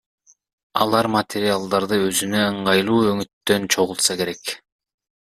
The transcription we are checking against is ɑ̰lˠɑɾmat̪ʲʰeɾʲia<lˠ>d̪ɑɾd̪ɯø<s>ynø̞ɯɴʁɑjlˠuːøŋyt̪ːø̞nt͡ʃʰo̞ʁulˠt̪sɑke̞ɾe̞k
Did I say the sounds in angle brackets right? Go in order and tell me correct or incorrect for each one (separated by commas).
correct, incorrect